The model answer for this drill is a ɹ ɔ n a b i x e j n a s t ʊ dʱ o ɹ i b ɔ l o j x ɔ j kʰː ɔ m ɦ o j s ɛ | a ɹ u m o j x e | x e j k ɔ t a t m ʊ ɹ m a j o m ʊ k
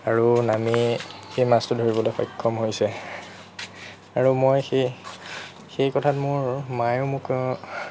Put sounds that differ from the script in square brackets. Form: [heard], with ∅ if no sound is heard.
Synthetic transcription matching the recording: a ɹ [u] n a [m] i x e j [m] a s t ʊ dʱ o ɹ i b ɔ l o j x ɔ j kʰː ɔ m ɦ o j s ɛ | a ɹ u m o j x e | x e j k ɔ [tʰ] a t m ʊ ɹ m a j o m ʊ k